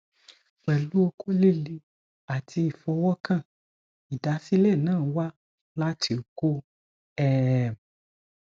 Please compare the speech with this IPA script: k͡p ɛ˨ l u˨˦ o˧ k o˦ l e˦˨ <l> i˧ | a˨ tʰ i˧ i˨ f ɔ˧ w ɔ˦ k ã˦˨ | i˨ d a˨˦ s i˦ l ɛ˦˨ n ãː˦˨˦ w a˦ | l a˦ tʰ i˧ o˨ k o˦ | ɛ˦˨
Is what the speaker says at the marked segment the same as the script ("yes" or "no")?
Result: yes